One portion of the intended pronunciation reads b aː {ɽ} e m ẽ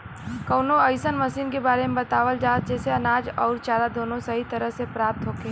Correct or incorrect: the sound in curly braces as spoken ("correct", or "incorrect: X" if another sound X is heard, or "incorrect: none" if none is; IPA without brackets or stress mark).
incorrect: ɾ